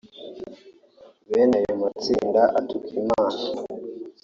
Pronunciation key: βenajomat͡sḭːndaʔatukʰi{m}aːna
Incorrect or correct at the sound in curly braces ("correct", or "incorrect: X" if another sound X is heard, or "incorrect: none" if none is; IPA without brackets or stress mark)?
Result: correct